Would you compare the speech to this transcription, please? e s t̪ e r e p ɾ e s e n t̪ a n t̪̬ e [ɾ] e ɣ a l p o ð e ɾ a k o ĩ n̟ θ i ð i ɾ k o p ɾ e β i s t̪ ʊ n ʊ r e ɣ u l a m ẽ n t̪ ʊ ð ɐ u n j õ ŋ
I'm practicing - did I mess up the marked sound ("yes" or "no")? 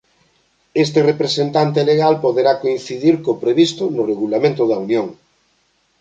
yes